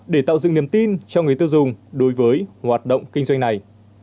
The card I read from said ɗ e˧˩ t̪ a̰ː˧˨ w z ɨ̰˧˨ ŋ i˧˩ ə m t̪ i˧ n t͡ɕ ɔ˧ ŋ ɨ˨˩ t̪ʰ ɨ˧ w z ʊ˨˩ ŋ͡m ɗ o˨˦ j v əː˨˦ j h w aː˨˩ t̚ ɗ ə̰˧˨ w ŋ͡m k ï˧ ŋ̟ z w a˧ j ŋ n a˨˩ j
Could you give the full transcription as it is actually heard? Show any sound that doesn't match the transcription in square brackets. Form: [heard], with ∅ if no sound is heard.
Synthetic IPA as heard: ɗ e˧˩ t̪ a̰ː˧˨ w z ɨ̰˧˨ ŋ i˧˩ ə m t̪ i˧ n t͡ɕ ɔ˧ ŋ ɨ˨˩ [t̪] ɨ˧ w z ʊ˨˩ ŋ͡m ɗ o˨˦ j v əː˨˦ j h w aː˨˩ t̚ ɗ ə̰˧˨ w ŋ͡m k ï˧ ŋ̟ z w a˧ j ŋ n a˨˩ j